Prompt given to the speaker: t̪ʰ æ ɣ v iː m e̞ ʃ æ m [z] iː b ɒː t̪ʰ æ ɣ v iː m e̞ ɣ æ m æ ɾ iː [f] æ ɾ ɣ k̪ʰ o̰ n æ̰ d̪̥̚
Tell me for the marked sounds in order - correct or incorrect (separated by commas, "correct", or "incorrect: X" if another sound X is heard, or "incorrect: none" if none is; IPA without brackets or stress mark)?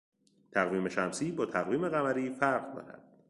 incorrect: s, correct